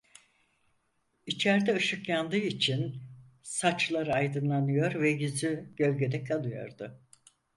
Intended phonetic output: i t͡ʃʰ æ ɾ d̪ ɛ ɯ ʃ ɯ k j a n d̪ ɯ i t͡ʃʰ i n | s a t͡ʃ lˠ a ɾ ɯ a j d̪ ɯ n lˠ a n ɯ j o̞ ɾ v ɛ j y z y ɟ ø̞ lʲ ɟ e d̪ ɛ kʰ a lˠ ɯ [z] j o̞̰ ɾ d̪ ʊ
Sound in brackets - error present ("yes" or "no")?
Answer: yes